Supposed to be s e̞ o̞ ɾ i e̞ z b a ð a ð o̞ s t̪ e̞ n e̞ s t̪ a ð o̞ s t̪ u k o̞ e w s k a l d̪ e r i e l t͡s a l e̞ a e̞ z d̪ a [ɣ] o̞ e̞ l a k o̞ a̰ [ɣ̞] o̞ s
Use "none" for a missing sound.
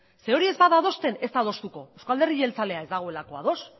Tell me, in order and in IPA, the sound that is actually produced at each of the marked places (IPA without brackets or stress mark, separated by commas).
ɣ, ð̞